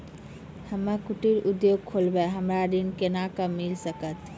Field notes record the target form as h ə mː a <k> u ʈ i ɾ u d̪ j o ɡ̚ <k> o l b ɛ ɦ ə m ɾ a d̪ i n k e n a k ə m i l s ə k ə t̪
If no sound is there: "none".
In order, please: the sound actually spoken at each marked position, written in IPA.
k, kʰ

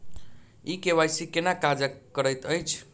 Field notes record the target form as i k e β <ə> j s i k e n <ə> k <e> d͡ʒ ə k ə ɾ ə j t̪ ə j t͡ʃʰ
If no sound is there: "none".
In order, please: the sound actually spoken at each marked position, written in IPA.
a, a, a

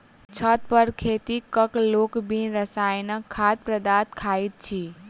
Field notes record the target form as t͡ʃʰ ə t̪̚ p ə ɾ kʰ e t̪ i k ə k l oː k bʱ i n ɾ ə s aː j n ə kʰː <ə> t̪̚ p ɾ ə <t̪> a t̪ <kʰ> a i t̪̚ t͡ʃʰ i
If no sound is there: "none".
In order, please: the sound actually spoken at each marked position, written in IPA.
a, d̪, kʰ

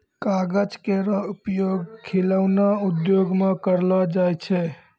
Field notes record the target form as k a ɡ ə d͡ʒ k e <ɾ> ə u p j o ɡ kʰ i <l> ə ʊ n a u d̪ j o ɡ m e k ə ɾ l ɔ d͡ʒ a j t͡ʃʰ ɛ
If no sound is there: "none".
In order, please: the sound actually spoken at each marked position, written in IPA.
ɾ, l

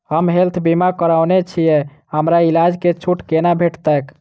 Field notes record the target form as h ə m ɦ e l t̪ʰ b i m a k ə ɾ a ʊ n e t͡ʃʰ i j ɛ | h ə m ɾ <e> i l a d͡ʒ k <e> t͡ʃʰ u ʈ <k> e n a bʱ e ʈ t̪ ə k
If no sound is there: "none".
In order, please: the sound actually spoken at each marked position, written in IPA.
a, e, k

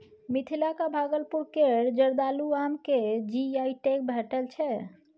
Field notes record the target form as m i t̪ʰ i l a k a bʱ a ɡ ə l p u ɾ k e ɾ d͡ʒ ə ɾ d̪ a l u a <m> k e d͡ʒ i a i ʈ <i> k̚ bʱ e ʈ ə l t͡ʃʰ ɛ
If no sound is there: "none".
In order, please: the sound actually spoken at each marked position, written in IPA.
m, e

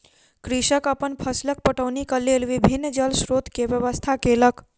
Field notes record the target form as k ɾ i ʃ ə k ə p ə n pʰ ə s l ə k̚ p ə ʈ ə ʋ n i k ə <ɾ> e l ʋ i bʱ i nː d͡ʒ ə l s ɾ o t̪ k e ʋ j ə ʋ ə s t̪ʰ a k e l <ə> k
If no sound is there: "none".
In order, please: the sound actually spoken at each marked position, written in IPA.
l, ə

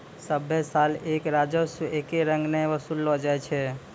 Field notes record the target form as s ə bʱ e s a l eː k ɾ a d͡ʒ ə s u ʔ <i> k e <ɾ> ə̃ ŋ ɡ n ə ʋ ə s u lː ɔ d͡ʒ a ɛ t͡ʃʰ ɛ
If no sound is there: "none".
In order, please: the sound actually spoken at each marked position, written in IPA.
e, ɾ

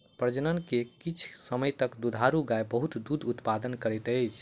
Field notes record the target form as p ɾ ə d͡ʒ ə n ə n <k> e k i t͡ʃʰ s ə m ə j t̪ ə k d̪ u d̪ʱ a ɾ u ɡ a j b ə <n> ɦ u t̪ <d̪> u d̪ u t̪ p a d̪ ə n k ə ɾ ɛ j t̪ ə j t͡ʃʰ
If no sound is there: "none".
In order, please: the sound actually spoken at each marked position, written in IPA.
k, none, d̪

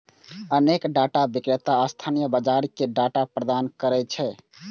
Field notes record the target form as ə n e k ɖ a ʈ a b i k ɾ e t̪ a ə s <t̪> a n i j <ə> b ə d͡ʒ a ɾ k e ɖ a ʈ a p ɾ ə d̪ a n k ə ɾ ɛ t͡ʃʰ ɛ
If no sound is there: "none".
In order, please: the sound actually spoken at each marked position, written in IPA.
t̪ʰ, ə

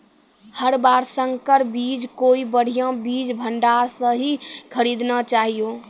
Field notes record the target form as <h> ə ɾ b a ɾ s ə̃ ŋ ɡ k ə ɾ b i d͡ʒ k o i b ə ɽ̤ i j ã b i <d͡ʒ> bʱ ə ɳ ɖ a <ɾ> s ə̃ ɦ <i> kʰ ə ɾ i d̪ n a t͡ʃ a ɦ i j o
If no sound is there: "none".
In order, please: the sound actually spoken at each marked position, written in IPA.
h, d͡ʒ, ɾ, i

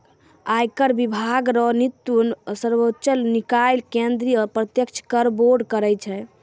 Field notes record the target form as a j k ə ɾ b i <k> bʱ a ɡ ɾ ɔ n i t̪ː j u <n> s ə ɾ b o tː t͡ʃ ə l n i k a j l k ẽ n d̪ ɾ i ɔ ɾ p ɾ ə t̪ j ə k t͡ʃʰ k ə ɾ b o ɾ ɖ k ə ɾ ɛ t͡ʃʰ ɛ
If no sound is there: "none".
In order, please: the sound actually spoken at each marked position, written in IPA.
none, n

